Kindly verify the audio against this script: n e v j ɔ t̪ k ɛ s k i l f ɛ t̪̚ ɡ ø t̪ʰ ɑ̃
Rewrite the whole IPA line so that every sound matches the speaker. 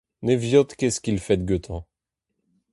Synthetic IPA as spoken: n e v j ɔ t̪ k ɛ s k i l f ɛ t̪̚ ɡ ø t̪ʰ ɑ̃